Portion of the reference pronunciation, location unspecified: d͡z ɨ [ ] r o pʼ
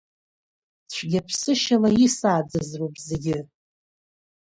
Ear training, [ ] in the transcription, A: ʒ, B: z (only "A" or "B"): B